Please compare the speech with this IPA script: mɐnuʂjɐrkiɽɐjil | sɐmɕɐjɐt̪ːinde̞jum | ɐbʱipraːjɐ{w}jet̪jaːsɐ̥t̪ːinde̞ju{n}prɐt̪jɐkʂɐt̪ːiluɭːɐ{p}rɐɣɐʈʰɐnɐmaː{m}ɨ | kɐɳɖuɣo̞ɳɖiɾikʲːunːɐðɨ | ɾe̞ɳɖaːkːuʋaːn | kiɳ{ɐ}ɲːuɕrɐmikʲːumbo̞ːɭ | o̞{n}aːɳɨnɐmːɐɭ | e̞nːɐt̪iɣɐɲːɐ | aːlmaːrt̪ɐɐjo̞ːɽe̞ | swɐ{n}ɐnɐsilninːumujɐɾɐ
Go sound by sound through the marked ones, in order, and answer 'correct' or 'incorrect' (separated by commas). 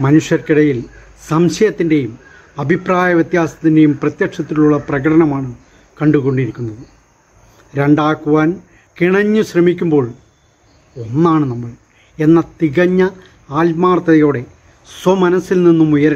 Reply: incorrect, incorrect, correct, incorrect, correct, incorrect, incorrect